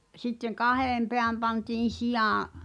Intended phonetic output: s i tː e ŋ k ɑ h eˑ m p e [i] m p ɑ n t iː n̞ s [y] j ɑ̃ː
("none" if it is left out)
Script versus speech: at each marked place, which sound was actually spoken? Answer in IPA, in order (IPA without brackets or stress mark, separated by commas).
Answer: æ, i